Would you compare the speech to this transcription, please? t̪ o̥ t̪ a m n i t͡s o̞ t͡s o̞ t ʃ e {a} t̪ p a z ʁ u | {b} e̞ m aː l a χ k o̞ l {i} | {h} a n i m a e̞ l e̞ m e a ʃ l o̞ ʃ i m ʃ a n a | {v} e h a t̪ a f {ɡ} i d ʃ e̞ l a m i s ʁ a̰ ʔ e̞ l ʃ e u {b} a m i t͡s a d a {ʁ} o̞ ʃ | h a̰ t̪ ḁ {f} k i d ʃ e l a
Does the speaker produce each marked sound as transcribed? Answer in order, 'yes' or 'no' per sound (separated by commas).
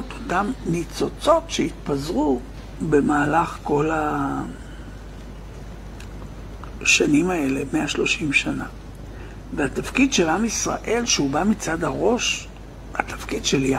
no, yes, no, no, yes, no, yes, yes, yes